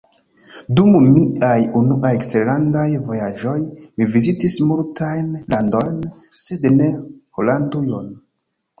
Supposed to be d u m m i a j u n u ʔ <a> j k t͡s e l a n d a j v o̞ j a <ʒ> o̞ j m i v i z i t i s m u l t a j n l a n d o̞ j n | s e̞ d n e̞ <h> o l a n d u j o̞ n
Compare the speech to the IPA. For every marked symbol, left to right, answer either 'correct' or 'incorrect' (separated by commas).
correct, correct, correct